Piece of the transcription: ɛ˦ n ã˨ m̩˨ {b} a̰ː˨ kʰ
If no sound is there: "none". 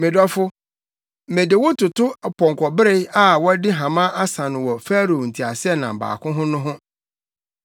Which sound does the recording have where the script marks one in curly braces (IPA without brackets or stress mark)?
b